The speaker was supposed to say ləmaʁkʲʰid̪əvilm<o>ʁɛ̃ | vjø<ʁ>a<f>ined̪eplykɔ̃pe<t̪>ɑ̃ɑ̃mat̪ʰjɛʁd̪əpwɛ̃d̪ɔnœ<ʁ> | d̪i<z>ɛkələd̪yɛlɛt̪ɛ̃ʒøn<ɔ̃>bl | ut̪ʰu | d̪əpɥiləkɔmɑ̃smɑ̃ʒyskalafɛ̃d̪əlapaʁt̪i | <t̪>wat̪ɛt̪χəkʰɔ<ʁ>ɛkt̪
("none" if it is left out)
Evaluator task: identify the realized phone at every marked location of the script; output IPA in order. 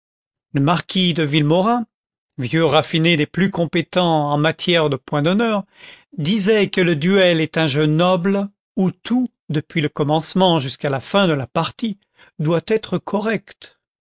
ɔ, ʁ, f, t̪, ʁ, z, ɔ, d̪, ʁ

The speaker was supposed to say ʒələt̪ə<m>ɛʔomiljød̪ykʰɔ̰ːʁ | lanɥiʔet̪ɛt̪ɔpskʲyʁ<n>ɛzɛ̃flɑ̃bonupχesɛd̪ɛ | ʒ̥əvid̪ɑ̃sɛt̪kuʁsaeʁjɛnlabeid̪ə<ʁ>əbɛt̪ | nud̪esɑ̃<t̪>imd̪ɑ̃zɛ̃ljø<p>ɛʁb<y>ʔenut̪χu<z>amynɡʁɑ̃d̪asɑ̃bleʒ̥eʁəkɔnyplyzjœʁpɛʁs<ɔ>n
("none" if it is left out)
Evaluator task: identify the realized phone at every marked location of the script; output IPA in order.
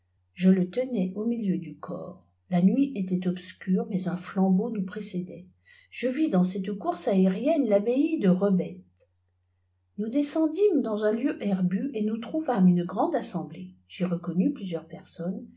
n, m, ʁ, d̪, ʔ, y, v, ɔ

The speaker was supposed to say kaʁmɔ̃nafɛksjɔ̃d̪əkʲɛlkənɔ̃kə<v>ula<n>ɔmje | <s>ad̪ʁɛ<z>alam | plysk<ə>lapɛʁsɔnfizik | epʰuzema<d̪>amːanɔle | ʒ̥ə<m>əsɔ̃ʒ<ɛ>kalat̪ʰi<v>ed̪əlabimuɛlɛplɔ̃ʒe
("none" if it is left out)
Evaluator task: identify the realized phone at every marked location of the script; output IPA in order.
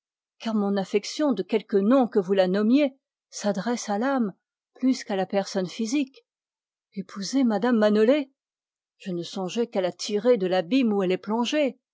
v, n, s, s, a, d̪, n, ɛ, ʁ

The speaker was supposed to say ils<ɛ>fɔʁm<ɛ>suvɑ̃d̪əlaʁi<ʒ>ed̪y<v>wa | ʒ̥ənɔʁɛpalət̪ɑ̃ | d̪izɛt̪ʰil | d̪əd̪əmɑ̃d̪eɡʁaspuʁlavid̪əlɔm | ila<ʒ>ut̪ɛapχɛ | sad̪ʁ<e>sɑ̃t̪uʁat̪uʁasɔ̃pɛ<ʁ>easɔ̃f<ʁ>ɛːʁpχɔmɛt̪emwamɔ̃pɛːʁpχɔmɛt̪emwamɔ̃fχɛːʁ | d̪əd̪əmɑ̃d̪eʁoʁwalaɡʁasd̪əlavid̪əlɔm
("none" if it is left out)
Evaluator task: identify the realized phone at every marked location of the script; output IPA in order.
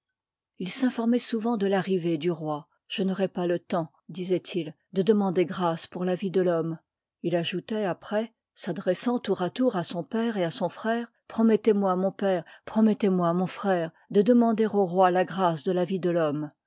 ɛ̃, ɛ, v, ʁ, ʒ, ɛ, ʁ, χ

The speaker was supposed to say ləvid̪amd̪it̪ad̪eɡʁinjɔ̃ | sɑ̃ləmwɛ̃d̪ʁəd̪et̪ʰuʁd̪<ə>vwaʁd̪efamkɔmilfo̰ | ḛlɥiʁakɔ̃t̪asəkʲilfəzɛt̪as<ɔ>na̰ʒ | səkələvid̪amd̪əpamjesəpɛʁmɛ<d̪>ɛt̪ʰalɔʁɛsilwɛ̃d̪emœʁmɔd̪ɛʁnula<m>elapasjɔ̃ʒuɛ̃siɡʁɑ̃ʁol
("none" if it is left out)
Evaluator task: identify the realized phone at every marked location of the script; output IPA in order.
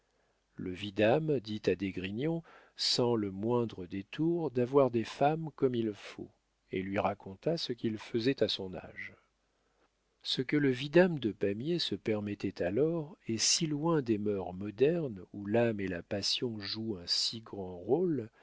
a, ɔ̃, t̪, m

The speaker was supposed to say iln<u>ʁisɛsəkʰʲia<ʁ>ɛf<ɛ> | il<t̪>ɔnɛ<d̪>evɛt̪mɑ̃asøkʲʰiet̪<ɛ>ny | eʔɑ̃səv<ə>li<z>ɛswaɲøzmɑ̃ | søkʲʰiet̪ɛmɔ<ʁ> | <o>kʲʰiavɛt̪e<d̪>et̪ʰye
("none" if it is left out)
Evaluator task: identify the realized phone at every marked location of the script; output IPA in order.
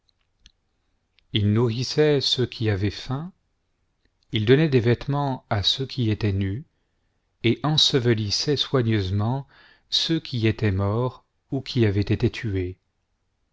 u, v, ɛ̃, d̪, d̪, ɛ, ə, s, ʁ, u, t̪

